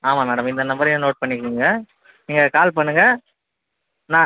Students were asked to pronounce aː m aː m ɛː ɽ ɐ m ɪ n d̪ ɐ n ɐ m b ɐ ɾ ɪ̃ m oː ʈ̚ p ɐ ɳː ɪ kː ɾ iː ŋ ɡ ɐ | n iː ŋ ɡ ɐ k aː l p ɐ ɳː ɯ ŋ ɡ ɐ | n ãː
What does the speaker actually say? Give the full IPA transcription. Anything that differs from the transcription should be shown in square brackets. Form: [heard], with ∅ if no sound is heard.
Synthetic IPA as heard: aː m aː m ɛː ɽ ɐ m ɪ n d̪ ɐ n ɐ m b ɐ ɾ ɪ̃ [n] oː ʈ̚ p ɐ ɳː ɪ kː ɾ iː ŋ ɡ ɐ | n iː ŋ ɡ ɐ k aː l p ɐ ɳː ɯ ŋ ɡ ɐ | n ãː